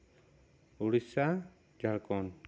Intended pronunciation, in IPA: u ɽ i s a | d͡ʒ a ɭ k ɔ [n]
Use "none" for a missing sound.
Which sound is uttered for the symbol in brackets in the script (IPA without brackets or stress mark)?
n